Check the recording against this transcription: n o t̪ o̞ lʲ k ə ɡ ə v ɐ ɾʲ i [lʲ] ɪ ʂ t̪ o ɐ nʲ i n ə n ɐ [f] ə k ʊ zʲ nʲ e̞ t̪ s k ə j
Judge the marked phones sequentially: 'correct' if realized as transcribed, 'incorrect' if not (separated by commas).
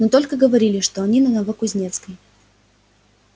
correct, incorrect